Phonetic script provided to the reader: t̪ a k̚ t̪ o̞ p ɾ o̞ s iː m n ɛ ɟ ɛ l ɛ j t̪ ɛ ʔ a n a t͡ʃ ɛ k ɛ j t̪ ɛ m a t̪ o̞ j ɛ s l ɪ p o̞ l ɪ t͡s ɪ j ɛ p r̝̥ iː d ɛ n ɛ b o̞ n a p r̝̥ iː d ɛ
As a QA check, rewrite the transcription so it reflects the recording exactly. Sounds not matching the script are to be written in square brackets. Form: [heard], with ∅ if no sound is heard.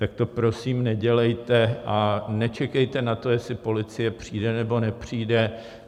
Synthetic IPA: t̪ a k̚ t̪ o̞ p ɾ o̞ s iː m n ɛ ɟ ɛ l ɛ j t̪ ɛ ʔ a n [ɛ] t͡ʃ ɛ k ɛ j t̪ ɛ [n] a t̪ o̞ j ɛ s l ɪ p o̞ l ɪ t͡s ɪ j ɛ p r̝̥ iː d ɛ n ɛ b o̞ n [ɛ] p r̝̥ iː d ɛ